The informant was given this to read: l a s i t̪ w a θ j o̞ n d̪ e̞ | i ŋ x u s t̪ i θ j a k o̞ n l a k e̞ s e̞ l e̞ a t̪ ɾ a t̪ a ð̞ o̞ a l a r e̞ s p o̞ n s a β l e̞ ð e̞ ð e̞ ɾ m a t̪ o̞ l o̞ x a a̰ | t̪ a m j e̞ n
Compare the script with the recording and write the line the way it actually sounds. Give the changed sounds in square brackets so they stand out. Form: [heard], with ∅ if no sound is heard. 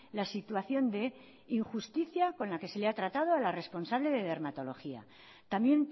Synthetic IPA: l a s i t̪ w a θ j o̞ n d̪ e̞ | i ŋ x u s t̪ i θ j a k o̞ n l a k e̞ s e̞ l e̞ a t̪ ɾ a t̪ a ð̞ o̞ a l a r e̞ s p o̞ n s a β l e̞ ð e̞ ð e̞ ɾ m a t̪ o̞ l o̞ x [i] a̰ | t̪ a m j e̞ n